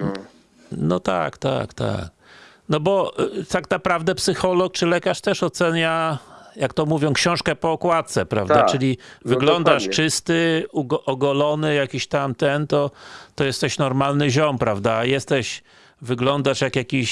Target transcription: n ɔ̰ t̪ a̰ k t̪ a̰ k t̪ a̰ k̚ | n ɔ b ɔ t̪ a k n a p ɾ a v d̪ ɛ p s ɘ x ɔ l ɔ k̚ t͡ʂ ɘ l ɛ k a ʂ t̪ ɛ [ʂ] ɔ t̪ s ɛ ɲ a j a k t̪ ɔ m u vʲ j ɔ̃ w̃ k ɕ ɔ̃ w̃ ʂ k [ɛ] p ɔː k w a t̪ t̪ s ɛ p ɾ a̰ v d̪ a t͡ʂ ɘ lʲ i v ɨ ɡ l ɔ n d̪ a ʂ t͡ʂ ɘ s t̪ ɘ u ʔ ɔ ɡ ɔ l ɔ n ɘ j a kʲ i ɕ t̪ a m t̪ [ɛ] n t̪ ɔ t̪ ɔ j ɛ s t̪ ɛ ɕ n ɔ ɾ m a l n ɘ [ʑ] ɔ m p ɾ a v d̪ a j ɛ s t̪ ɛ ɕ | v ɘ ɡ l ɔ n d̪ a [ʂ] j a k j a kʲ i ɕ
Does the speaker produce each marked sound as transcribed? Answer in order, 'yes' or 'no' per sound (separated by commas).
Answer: yes, yes, yes, yes, yes